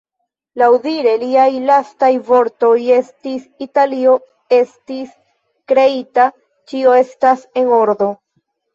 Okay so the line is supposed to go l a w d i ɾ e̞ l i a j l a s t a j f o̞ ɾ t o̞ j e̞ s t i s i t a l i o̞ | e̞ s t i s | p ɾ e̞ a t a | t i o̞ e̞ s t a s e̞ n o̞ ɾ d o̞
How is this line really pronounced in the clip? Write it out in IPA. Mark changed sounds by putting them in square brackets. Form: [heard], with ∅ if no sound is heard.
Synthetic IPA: l a w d i ɾ e̞ l i a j l a s t a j [v] o̞ ɾ t o̞ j e̞ s t i s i t a l i o̞ | e̞ s t i s | [k] ɾ e̞ [i] t a | [t͡ʃ] i o̞ e̞ s t a s e̞ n o̞ ɾ d o̞

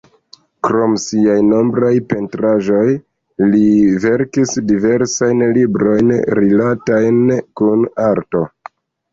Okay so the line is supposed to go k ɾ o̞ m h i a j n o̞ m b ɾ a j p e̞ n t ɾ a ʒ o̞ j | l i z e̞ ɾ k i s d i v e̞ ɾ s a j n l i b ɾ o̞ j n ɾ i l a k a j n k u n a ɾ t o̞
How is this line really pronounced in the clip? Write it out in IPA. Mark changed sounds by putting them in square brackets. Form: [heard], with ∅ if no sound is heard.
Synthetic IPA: k ɾ o̞ m [s] i a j n o̞ m b ɾ a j p e̞ n t ɾ a ʒ o̞ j | l i [v] e̞ ɾ k i s d i v e̞ ɾ s a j n l i b ɾ o̞ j n ɾ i l a [t] a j n k u n a ɾ t o̞

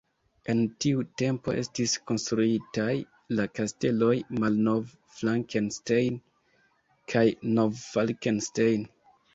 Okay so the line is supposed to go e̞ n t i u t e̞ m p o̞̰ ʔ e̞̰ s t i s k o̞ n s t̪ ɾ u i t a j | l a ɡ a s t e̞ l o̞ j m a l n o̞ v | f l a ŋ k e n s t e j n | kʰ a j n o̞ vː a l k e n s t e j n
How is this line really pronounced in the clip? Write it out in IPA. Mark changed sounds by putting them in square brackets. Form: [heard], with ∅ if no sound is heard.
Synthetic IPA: e̞ n t i u t e̞ m p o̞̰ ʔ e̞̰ s t i s k o̞ n s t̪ ɾ u i t a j | l a [k] a s t e̞ l o̞ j m a l n o̞ v | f l a ŋ k e n s t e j n | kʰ a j n o̞ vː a l k e n s t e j n

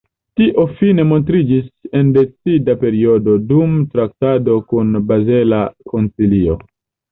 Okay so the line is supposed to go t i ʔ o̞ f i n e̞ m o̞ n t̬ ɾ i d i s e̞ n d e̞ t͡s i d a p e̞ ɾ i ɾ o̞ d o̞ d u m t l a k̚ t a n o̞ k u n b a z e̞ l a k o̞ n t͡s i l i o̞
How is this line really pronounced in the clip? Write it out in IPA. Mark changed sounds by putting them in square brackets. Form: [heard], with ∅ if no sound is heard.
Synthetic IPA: t i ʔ o̞ f i n e̞ m o̞ n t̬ ɾ i [d͡ʒ] i s e̞ n d e̞ t͡s i d a p e̞ ɾ i [∅] o̞ d o̞ d u m t [ɾ] a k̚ t a [d] o̞ k u n b a z e̞ l a k o̞ n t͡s i l i o̞

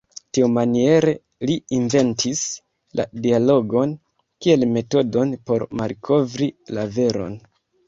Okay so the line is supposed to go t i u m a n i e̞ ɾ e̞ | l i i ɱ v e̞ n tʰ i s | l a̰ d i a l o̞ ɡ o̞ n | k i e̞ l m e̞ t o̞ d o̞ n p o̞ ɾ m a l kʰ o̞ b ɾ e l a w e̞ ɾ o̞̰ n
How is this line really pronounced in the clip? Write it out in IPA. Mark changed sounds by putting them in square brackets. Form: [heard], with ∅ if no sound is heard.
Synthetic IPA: t i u m a n i e̞ ɾ e̞ | l i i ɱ v e̞ n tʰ i s | l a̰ d i a l o̞ ɡ o̞ n | k i e̞ l m e̞ t o̞ d o̞ n p o̞ ɾ m a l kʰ o̞ [v] ɾ [i] l a [v] e̞ ɾ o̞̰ n

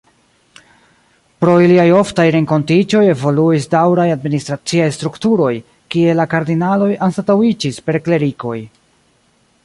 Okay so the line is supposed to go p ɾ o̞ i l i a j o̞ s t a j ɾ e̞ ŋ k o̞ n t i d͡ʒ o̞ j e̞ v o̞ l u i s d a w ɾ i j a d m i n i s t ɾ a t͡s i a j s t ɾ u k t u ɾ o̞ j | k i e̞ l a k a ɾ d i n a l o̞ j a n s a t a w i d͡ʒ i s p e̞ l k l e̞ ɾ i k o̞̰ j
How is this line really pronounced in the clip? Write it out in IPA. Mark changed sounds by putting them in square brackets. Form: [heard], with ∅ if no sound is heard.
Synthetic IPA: p ɾ o̞ i l i a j o̞ [f] t a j ɾ e̞ ŋ k o̞ n t i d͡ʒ o̞ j e̞ v o̞ l u i s d a w ɾ [a] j a d m i n i s t ɾ a t͡s i a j s t ɾ u k t u ɾ o̞ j | k i e̞ l a k a ɾ d i n a l o̞ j a n s a t a w i d͡ʒ i s p e̞ [ɾ] k l e̞ ɾ i k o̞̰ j

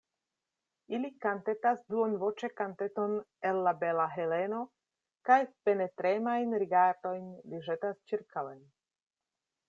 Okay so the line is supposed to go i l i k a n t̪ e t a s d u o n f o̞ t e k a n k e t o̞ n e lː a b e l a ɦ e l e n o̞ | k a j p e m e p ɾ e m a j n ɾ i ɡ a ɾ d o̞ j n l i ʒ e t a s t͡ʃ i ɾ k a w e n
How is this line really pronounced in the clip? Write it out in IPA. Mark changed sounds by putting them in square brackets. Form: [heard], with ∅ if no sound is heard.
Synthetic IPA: i l i k a n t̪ e t a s d u o n [v] o̞ [t͡ʃ] e k a n [t] e t o̞ n e lː a b e l a ɦ e l e n o̞ | k a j p e [n] e [t] ɾ e m a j n ɾ i ɡ a ɾ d o̞ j n l i ʒ e t a s t͡ʃ i ɾ k a w e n

